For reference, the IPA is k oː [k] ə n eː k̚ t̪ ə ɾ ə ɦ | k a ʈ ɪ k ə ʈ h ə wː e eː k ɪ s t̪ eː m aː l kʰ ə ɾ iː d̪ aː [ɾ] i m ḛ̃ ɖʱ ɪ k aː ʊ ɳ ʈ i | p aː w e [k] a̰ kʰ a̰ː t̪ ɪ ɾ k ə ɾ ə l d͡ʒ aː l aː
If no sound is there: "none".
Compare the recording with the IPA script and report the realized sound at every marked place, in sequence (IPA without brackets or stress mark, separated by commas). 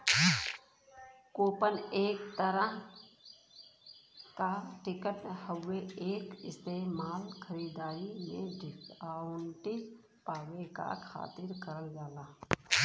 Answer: p, ɾ, k